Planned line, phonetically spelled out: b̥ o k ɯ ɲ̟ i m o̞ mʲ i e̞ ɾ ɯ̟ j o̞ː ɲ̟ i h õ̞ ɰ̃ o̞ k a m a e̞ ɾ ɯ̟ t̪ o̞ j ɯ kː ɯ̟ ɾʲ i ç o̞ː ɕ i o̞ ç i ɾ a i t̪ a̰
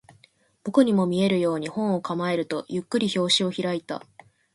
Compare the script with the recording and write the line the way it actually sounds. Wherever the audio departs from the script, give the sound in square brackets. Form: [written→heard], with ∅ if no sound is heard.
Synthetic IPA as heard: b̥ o k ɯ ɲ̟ i m o̞ mʲ i e̞ ɾ ɯ̟ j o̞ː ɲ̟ i h õ̞ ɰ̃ o̞ k a m a e̞ ɾ ɯ̟ t̪ o̞ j ɯ kː ɯ̟ ɾʲ i ç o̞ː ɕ i o̞ ç i ɾ a i t̪ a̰